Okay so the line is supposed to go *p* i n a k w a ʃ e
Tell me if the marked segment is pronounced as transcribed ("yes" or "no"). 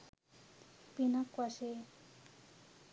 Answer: yes